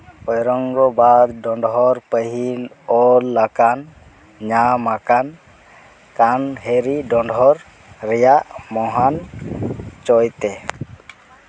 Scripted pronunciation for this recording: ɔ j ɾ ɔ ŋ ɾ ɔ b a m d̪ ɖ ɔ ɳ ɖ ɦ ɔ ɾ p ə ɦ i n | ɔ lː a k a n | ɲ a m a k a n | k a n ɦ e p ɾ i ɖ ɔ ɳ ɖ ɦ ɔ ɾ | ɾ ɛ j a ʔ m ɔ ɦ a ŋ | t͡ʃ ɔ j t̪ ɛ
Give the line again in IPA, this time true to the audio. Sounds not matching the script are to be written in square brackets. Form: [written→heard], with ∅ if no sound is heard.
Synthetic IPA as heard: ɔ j ɾ ɔ ŋ ɾ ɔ b a [m→∅] d̪ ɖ ɔ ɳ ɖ ɦ ɔ ɾ p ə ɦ i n | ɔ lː a k a n | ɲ a m a k a n | k a n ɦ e [p→∅] ɾ i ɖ ɔ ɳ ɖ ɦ ɔ ɾ | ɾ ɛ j a ʔ m ɔ ɦ a [ŋ→n] | t͡ʃ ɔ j t̪ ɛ

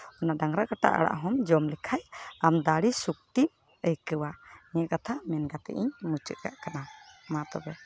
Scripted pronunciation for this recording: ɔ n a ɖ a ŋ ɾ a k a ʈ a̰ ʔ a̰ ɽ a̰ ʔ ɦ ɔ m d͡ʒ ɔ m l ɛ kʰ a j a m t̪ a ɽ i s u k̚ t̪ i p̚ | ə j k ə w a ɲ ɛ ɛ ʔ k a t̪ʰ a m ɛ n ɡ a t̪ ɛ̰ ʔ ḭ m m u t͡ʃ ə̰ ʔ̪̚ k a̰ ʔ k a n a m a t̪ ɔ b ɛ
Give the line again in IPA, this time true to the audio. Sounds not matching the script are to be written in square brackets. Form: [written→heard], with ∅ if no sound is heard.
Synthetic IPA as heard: ɔ n a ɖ a ŋ ɾ a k a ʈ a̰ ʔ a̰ ɽ a̰ ʔ ɦ ɔ m d͡ʒ ɔ m l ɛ kʰ a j a m [t̪→d̪] a ɽ i s u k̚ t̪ i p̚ | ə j k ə w a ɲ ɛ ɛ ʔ k a t̪ʰ a m ɛ n ɡ a t̪ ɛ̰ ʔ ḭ [m→ɲ] m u t͡ʃ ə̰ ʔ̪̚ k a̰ ʔ k a n a m a t̪ ɔ b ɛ

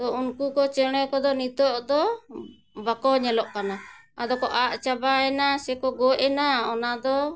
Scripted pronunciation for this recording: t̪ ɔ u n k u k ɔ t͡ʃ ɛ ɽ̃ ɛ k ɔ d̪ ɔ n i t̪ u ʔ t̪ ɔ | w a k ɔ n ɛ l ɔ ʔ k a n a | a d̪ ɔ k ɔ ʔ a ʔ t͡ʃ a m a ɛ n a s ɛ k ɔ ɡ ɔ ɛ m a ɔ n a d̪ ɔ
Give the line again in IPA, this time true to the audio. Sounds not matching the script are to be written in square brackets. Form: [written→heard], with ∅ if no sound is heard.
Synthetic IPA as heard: t̪ ɔ u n k u k ɔ t͡ʃ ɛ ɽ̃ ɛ k ɔ d̪ ɔ n i t̪ [u→ɔ] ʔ [t̪→d̪] ɔ | [w→b] a k ɔ [n→ɲ] ɛ l ɔ ʔ k a n a | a d̪ ɔ k ɔ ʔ a ʔ t͡ʃ a [m→b] a ɛ n a s ɛ k ɔ ɡ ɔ ɛ [m→n] a ɔ n a d̪ ɔ

